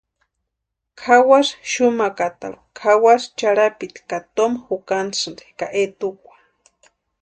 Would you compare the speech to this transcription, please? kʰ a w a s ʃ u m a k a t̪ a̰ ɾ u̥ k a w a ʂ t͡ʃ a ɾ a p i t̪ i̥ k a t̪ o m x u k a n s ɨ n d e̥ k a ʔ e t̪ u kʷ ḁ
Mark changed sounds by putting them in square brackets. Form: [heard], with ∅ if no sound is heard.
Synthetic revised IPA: kʰ a w a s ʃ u m a k a t̪ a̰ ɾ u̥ [kʰ] a w a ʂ t͡ʃ a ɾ a p i t̪ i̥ k a t̪ o m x u k a n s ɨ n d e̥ k a ʔ e t̪ u kʷ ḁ